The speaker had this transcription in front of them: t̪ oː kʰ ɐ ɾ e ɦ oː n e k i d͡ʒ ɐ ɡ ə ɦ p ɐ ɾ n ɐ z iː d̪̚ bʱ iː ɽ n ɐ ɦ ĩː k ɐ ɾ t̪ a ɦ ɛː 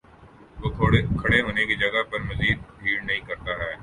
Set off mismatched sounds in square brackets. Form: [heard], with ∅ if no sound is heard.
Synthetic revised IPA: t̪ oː kʰ ɐ [ɽ] e ɦ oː n e k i d͡ʒ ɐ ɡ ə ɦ p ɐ ɾ [m] ɐ z iː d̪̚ bʱ iː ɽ n ɐ ɦ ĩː k ɐ ɾ t̪ a ɦ ɛː